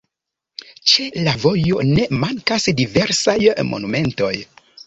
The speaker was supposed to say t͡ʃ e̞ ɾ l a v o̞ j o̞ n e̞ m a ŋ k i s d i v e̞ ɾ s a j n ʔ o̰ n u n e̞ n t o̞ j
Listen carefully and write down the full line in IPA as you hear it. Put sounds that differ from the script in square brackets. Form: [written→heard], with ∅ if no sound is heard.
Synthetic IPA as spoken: t͡ʃ e̞ [ɾ→∅] l a v o̞ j o̞ n e̞ m a ŋ k [i→a] s d i v e̞ ɾ s a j [n→m] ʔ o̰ n u [n→m] e̞ n t o̞ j